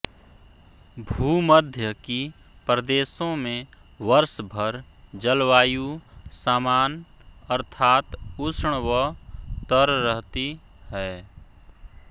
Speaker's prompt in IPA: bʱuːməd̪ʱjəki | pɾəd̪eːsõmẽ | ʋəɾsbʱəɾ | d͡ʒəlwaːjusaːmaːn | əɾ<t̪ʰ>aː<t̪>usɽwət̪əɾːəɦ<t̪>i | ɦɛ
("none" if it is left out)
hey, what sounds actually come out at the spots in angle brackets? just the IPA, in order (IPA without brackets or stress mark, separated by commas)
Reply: t̪ʰ, t̪, t̪